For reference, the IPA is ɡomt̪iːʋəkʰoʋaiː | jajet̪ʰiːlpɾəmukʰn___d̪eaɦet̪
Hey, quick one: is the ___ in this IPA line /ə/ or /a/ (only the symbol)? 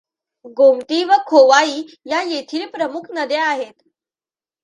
ə